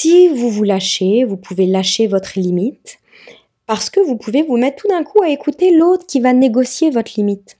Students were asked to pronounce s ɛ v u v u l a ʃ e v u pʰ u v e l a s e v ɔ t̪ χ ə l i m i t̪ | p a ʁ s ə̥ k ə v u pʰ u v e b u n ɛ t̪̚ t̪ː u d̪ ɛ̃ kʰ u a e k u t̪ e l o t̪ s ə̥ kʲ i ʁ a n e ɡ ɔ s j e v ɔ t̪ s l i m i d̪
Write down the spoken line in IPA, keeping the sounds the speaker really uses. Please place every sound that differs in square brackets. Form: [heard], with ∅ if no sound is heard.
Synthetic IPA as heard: s [i] v u v u l a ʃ e v u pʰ u v e l a [ʃ] e v ɔ t̪ χ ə l i m i t̪ | p a ʁ s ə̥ k ə v u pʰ u v e [v] u [m] ɛ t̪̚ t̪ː u d̪ ɛ̃ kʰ u a e k u t̪ e l o t̪ [χ] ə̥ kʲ i [v] a n e ɡ ɔ s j e v ɔ t̪ [χ] l i m i [t̪]